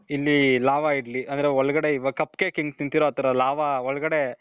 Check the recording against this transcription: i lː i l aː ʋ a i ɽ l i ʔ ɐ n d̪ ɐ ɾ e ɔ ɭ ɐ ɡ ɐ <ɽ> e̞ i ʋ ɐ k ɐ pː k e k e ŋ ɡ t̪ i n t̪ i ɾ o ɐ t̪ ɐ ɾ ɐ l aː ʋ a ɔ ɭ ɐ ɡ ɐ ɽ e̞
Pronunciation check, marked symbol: correct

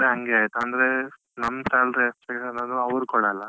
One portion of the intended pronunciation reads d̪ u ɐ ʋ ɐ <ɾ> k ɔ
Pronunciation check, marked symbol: correct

